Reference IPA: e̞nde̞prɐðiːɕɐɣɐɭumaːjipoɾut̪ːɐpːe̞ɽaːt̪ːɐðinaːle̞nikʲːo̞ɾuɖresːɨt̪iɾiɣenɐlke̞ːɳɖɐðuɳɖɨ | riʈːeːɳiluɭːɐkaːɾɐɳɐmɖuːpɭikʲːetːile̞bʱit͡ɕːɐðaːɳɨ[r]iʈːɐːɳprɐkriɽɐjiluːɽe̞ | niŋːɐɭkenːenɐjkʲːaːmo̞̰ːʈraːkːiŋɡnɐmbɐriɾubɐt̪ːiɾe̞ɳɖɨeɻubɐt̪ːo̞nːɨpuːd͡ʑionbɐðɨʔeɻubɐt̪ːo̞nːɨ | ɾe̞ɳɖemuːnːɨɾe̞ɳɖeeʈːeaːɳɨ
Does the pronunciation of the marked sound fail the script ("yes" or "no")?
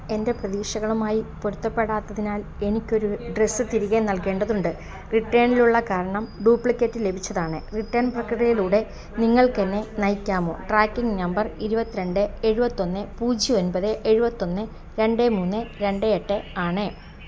no